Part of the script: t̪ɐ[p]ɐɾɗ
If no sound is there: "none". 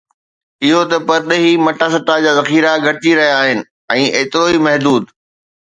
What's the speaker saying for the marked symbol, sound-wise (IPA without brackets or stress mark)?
p